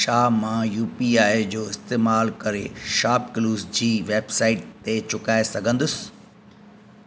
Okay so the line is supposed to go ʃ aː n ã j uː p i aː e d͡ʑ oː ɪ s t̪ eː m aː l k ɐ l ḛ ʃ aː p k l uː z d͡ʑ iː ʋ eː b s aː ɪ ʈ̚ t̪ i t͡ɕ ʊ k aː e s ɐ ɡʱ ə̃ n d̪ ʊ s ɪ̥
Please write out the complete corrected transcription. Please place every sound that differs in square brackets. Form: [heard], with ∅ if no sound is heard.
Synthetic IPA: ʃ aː [m] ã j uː p i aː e d͡ʑ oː ɪ s t̪ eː m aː l k ɐ [ɾ] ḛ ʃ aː p k l uː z d͡ʑ iː ʋ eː b s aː ɪ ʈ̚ t̪ [e] t͡ɕ ʊ k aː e s ɐ ɡʱ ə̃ n d̪ ʊ s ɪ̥

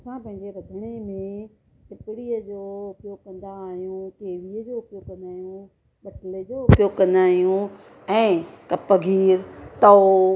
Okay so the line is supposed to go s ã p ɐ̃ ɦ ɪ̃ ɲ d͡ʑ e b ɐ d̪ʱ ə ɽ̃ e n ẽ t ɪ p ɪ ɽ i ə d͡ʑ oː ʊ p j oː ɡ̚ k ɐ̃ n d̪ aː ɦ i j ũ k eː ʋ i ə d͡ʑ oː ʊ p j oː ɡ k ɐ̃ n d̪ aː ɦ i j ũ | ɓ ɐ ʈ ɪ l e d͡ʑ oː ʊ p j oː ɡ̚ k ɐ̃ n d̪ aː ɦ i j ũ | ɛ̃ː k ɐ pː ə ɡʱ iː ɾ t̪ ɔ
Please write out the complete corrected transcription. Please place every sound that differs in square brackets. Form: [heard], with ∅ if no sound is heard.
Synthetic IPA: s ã p ɐ̃ ɦ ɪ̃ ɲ d͡ʑ e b ɐ d̪ʱ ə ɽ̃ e [m] ẽ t ɪ p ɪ ɽ i ə d͡ʑ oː ʊ p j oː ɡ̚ k ɐ̃ n d̪ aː ɦ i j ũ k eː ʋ i ə d͡ʑ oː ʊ p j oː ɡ k ɐ̃ n d̪ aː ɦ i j ũ | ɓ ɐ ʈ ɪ l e d͡ʑ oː ʊ p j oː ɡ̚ k ɐ̃ n d̪ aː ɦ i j ũ | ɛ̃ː k ɐ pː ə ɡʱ iː ɾ t̪ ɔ

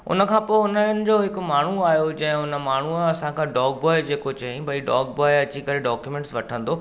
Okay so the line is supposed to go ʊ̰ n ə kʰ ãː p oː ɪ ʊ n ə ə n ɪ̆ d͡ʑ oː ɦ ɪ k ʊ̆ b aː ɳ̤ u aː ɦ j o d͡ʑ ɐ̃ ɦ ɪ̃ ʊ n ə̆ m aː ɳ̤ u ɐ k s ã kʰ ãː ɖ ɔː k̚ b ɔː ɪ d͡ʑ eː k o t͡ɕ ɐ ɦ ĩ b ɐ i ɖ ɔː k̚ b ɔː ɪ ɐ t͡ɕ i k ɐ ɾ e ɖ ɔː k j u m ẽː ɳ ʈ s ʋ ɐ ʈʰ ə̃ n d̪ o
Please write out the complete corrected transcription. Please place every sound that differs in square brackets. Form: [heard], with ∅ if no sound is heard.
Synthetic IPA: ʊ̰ n ə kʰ ãː p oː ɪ ʊ n ə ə n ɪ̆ d͡ʑ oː ɦ ɪ k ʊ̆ [m] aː ɳ̤ u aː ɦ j o d͡ʑ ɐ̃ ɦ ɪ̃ ʊ n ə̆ m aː ɳ̤ u ɐ [∅] s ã kʰ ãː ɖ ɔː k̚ b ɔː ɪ d͡ʑ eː k o t͡ɕ ɐ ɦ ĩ b ɐ i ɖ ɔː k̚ b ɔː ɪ ɐ t͡ɕ i k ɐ ɾ e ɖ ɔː k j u m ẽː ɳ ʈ s ʋ ɐ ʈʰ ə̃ n d̪ o

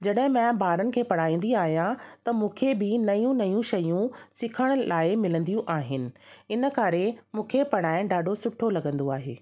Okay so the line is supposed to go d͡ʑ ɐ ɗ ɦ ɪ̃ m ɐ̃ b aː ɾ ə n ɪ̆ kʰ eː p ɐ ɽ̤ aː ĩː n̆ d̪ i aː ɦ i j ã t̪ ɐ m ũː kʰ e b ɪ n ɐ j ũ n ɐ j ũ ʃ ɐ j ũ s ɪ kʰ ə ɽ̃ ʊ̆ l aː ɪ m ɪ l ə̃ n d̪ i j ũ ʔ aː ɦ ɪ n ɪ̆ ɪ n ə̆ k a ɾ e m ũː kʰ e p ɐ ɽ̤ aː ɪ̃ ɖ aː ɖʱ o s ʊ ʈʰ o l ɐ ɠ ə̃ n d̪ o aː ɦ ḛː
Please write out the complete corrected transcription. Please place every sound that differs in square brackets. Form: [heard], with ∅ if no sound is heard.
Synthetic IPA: d͡ʑ ɐ ɗ ɦ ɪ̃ m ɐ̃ b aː ɾ ə n ɪ̆ kʰ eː p ɐ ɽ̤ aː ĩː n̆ d̪ i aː ɦ i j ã t̪ ɐ m ũː kʰ e b ɪ n ɐ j ũ n ɐ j ũ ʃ ɐ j ũ s ɪ kʰ ə ɽ̃ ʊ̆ l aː ɪ m ɪ l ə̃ n d̪ i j ũ ʔ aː ɦ ɪ n ɪ̆ ɪ n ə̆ k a ɾ e m ũː kʰ e p ɐ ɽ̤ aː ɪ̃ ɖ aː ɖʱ o s ʊ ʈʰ o l ɐ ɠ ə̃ n d̪ o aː ɦ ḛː

